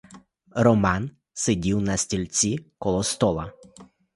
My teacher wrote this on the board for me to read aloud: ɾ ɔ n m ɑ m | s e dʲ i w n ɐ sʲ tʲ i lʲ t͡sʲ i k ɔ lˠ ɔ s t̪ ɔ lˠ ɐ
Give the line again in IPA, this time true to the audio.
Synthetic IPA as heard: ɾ ɔ m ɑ n | s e dʲ i w n ɐ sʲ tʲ i lʲ t͡sʲ i k ɔ lˠ ɔ s t̪ ɔ lˠ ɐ